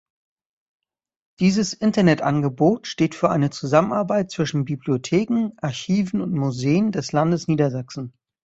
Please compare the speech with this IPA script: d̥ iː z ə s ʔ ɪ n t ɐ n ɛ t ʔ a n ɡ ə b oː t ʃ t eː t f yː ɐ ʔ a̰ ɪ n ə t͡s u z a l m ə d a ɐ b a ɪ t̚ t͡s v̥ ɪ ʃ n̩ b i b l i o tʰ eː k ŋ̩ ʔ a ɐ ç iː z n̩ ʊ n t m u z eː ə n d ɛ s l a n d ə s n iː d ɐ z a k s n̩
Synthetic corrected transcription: d̥ iː z ə s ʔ ɪ n t ɐ n ɛ t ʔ a n ɡ ə b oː t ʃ t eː t f yː ɐ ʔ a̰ ɪ n ə t͡s u z a m ə n a ɐ b a ɪ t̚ t͡s v̥ ɪ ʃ n̩ b i b l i o tʰ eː k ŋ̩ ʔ a ɐ ç iː v n̩ ʊ n t m u z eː ə n d ɛ s l a n d ə s n iː d ɐ z a k s n̩